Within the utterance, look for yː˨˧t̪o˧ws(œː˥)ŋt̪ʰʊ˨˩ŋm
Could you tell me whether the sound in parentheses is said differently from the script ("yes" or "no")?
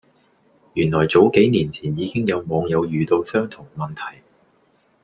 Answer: no